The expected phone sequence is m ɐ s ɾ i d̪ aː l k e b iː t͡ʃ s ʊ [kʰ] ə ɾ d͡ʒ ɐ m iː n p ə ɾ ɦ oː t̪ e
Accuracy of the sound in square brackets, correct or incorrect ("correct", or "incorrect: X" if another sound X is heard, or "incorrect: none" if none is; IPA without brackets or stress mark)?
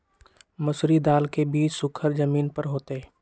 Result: correct